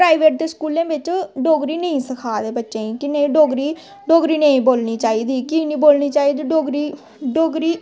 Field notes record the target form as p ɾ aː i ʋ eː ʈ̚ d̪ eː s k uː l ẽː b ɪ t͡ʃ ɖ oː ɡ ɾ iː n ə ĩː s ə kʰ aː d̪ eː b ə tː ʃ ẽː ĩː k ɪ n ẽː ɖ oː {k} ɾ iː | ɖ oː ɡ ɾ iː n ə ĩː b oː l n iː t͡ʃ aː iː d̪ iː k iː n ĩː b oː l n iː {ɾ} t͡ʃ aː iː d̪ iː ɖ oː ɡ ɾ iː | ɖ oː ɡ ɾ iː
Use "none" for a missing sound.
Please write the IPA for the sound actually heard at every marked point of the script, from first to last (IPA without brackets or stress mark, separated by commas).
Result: ɡ, none